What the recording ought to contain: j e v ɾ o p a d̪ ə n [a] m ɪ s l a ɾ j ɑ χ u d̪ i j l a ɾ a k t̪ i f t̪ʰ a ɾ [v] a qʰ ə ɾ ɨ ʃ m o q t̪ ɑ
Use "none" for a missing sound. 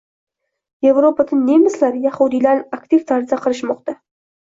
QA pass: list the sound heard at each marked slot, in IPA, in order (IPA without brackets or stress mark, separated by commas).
e, z